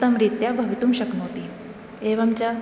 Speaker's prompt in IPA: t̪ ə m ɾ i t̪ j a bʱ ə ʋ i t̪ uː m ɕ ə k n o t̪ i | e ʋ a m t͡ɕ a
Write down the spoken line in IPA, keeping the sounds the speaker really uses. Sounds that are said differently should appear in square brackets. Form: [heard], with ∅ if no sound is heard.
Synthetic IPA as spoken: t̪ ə m ɾ i t̪ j a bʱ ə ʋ i t̪ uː m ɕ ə k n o t̪ i | e ʋ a m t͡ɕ a

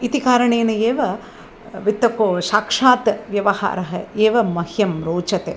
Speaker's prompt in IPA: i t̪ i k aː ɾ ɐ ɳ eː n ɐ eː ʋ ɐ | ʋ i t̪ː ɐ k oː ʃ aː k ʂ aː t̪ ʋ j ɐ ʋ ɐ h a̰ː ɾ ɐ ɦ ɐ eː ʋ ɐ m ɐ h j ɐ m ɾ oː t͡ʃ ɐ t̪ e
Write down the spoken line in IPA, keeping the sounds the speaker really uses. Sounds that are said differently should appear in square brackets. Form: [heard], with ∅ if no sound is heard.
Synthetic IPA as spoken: i t̪ i k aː ɾ ɐ ɳ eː n ɐ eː ʋ ɐ | ʋ i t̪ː ɐ k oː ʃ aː k ʂ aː t̪ ʋ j ɐ ʋ ɐ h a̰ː ɾ ɐ ɦ ɐ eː ʋ ɐ m ɐ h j ɐ m ɾ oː t͡ʃ ɐ t̪ e

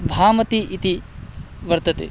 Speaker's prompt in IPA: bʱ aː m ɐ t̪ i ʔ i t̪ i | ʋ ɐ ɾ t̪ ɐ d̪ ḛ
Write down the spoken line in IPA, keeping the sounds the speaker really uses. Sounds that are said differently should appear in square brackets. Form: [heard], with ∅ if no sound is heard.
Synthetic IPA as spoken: bʱ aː m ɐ t̪ i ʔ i t̪ i | ʋ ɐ ɾ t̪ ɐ [t̪] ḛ

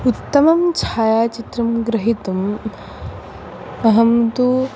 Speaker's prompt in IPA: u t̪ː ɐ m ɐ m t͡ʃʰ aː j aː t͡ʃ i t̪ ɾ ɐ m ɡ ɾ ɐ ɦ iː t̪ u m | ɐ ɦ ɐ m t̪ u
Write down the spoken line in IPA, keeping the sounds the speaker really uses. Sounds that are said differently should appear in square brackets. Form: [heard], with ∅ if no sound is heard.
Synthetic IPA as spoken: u t̪ː ɐ m ɐ m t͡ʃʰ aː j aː t͡ʃ i t̪ ɾ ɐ m ɡ ɾ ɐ ɦ [i] t̪ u m | ɐ ɦ ɐ m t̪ u

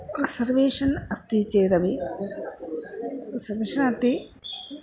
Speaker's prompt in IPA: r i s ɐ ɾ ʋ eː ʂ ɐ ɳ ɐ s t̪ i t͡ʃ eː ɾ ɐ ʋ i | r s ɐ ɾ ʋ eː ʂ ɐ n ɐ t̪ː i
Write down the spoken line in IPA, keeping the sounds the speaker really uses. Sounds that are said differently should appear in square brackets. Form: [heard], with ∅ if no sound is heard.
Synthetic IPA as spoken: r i s ɐ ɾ ʋ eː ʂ ɐ [n] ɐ s t̪ i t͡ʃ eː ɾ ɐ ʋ i | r s ɐ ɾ ʋ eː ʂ ɐ n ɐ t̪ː i

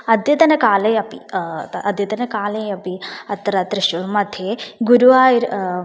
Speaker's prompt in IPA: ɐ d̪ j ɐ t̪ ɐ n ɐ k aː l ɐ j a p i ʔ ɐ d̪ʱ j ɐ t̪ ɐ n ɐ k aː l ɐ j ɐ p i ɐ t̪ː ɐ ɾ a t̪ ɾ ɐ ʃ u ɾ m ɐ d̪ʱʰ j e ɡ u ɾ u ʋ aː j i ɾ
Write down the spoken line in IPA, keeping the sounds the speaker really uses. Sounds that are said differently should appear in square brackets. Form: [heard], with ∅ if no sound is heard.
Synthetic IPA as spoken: ɐ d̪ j ɐ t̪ ɐ n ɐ k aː l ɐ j [ɐ] p i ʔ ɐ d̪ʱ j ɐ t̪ ɐ n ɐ k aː l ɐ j ɐ p i ɐ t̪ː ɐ ɾ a t̪ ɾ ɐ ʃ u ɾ m ɐ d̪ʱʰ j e ɡ u ɾ u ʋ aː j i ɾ

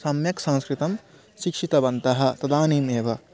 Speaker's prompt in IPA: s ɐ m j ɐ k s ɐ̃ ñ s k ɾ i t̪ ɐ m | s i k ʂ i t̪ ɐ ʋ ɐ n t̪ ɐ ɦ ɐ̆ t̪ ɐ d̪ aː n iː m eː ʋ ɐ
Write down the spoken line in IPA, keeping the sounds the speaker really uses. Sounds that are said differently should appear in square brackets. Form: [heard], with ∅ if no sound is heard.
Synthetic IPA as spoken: s ɐ m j ɐ k s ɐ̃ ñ s k ɾ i t̪ ɐ m | [ʃ] i k ʂ i t̪ ɐ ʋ ɐ n t̪ ɐ ɦ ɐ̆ t̪ ɐ d̪ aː n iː m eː ʋ ɐ

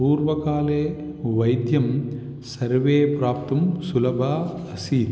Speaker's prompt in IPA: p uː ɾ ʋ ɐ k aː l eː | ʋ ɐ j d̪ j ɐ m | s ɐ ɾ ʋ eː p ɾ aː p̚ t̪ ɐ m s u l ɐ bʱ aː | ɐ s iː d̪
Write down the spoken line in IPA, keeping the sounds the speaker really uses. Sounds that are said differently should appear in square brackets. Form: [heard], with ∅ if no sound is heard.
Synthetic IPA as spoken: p uː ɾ ʋ ɐ k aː l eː | ʋ ɐ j d̪ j ɐ m | s ɐ ɾ ʋ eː p ɾ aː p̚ t̪ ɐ m s u l ɐ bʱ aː | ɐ s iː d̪

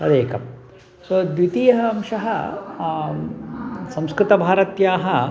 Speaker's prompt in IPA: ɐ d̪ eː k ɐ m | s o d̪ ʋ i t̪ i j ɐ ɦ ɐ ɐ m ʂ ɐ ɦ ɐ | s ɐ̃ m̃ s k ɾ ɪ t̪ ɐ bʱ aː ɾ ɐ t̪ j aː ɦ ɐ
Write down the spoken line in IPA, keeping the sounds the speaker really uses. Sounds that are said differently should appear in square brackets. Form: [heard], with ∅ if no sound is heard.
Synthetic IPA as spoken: ɐ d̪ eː k ɐ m | s o d̪ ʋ i t̪ i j ɐ ɦ ɐ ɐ m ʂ ɐ ɦ ɐ | s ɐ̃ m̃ s k ɾ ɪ t̪ ɐ bʱ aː ɾ ɐ t̪ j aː ɦ ɐ

